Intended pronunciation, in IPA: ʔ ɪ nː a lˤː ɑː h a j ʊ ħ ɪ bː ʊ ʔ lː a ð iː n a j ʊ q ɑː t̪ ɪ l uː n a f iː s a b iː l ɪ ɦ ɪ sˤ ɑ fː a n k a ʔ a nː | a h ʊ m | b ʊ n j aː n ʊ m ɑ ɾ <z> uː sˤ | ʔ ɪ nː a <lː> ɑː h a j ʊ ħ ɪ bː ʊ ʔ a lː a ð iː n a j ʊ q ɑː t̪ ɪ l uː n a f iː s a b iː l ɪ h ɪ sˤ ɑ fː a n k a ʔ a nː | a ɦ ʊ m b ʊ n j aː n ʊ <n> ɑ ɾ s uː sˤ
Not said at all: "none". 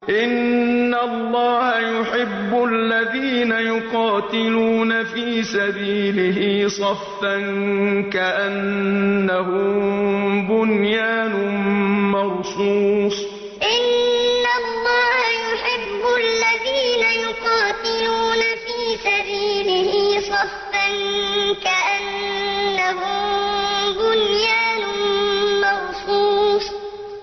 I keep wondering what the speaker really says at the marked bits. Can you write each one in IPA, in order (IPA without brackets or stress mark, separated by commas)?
s, lː, m